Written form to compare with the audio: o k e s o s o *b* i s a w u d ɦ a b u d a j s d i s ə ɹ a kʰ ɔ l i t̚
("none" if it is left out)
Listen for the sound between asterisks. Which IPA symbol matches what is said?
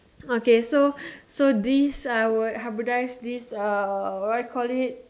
d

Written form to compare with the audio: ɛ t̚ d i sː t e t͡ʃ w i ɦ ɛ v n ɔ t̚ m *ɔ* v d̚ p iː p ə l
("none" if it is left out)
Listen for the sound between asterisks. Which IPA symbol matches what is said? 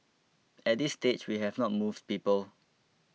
u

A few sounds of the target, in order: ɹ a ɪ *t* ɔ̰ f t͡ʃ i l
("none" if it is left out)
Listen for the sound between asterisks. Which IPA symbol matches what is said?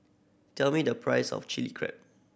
s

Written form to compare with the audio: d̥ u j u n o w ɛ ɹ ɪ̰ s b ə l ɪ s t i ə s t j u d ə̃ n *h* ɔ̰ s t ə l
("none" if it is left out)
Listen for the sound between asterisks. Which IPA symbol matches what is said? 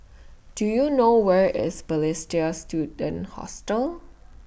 h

